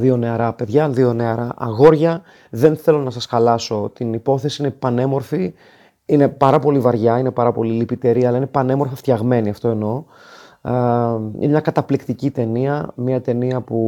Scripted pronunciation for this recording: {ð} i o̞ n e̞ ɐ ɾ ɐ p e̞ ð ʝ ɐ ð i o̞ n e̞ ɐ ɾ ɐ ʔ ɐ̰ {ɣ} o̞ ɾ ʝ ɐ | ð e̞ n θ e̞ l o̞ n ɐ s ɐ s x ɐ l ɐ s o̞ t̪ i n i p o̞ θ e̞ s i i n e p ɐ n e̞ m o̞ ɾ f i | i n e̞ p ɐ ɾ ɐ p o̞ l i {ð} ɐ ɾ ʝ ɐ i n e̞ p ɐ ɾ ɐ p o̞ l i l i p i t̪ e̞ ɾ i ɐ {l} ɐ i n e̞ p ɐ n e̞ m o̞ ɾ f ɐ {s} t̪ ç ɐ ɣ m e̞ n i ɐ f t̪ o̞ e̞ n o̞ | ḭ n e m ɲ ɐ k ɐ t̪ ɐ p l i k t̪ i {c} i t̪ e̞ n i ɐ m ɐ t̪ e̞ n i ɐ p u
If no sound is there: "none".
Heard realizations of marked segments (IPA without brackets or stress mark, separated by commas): ð, ɣ, v, l, f, c